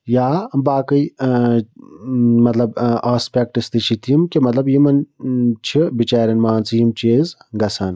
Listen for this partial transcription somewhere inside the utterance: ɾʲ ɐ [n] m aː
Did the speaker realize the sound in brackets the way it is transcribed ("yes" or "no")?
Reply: yes